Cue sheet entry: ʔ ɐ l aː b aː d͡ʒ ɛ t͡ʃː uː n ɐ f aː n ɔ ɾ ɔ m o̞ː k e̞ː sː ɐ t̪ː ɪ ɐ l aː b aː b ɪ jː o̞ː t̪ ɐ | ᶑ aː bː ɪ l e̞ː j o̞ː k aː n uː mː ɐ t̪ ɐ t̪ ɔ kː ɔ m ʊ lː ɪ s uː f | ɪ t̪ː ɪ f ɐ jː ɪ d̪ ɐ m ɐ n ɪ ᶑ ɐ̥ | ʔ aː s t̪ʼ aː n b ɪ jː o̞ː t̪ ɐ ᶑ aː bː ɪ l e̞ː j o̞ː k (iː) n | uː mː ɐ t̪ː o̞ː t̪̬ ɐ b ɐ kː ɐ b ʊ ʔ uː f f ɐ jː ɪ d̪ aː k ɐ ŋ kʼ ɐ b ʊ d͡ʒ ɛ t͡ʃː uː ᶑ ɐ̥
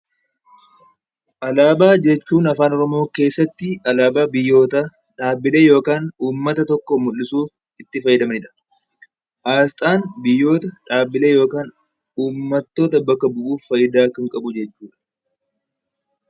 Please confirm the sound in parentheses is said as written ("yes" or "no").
no